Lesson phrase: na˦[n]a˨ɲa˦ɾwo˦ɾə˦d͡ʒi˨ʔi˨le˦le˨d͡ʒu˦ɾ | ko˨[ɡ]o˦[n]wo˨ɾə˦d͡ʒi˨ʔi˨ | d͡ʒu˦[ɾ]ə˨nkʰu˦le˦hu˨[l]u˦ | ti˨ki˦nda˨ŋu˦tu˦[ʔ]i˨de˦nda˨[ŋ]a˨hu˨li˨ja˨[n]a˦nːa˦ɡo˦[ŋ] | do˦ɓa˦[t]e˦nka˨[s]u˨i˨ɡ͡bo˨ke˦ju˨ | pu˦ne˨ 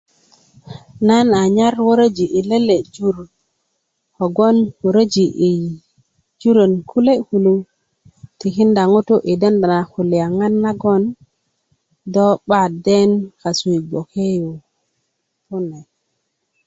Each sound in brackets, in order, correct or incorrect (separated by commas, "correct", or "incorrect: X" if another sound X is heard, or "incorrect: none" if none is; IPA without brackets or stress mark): correct, correct, correct, correct, correct, correct, incorrect: n, incorrect: ŋ, incorrect: n, incorrect: d, correct